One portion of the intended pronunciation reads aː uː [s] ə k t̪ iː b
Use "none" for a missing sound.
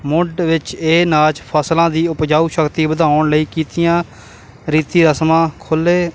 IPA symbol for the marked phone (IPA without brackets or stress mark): ʃ